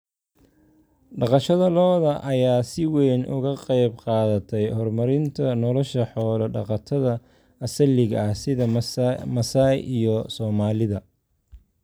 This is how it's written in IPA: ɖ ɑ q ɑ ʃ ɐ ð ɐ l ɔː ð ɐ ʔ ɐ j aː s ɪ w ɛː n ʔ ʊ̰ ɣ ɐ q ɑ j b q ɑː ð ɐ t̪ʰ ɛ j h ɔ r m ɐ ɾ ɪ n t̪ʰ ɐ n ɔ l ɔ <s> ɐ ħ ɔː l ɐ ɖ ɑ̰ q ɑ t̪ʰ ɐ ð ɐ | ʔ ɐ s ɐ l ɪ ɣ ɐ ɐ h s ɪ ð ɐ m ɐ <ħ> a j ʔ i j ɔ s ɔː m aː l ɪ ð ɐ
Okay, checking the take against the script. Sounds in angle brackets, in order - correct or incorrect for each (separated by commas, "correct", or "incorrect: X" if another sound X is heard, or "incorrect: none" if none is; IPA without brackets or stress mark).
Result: incorrect: ʃ, incorrect: s